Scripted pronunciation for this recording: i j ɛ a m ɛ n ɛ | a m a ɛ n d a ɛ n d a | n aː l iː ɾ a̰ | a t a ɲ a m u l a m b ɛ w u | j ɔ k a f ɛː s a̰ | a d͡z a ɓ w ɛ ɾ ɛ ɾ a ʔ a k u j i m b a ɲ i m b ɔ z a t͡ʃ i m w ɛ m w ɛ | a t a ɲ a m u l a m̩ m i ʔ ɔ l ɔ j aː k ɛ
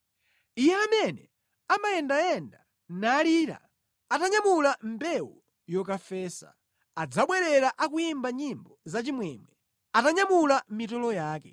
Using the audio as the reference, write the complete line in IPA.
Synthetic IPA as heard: i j ɛ a m ɛ n ɛ | a m a ɛ n d a ɛ n d a | n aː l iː ɾ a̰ | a t a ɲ a m u l a m b ɛ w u | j ɔ k a f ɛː s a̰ | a d͡z a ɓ w ɛ ɾ ɛ ɾ a ʔ a k u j i m b a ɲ i m b ɔ z a t͡ʃ i m w ɛ m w ɛ | a t a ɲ a m u l a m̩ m i t ɔ l ɔ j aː k ɛ